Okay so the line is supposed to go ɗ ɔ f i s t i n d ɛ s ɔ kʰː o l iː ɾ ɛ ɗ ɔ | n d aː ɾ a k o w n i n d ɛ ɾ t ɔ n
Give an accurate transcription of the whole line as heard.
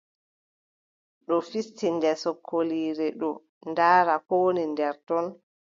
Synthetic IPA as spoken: ɗ ɔ f i s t i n d ɛ s ɔ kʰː o l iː ɾ ɛ ɗ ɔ | n d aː ɾ a k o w n i n d ɛ ɾ t ɔ n